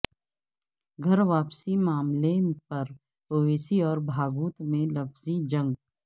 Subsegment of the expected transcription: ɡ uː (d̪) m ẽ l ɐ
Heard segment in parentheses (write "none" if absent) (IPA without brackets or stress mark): t̪